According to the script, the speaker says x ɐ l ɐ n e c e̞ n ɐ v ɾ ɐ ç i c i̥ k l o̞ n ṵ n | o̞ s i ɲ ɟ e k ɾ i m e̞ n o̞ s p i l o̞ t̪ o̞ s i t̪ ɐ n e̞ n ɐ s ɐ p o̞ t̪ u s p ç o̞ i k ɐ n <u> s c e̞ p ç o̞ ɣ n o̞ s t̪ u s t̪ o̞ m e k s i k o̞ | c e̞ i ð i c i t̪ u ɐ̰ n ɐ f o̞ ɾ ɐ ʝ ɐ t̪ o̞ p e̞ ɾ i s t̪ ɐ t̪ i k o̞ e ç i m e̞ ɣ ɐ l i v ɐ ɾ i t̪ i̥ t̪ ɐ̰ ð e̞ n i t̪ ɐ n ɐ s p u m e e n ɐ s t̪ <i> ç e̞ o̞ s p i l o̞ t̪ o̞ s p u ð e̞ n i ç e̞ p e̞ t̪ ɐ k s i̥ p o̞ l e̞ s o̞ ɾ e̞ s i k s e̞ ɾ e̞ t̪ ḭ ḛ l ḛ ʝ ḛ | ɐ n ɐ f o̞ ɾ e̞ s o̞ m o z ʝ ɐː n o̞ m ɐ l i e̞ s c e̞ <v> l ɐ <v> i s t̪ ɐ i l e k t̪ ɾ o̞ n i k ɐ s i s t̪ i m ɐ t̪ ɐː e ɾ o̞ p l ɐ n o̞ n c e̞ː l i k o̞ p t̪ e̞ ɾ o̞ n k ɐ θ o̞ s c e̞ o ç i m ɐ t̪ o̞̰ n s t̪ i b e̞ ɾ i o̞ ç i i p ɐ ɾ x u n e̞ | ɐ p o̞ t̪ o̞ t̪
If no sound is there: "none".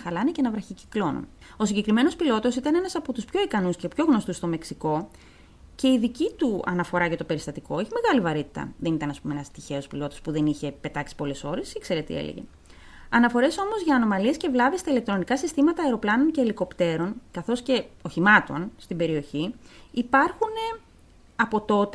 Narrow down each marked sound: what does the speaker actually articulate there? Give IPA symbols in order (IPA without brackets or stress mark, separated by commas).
u, i, v, v